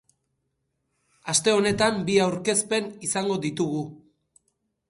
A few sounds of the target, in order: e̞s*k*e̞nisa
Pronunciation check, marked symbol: incorrect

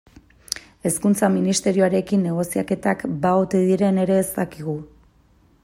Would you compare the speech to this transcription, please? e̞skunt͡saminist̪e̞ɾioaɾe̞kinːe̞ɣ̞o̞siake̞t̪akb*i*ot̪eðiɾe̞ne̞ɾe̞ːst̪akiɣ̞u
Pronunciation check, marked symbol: incorrect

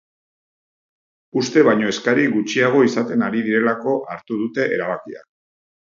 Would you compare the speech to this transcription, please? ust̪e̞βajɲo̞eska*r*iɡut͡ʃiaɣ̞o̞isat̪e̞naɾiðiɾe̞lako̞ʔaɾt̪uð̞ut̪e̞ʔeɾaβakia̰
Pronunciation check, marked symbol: incorrect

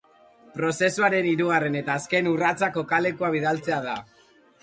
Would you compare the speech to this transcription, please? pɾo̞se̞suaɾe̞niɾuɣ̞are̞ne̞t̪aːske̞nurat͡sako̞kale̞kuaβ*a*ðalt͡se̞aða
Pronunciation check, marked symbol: incorrect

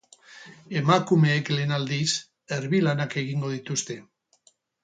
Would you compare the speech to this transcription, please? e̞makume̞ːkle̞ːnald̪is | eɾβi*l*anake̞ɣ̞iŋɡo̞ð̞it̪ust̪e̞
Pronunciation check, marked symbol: correct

